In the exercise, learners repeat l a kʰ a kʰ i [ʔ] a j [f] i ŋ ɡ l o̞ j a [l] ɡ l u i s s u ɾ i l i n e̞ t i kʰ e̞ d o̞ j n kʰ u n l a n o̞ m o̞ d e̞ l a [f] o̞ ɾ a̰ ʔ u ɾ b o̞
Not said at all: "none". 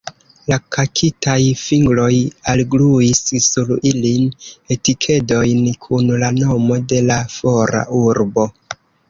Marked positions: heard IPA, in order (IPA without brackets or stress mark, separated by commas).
t, f, l, f